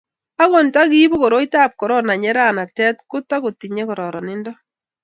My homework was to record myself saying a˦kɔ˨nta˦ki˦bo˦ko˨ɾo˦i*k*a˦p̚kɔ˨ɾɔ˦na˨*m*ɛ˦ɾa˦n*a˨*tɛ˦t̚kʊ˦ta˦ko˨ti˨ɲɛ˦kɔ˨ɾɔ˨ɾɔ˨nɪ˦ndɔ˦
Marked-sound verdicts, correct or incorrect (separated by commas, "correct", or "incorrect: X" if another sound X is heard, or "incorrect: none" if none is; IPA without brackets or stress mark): incorrect: t, incorrect: ɲ, correct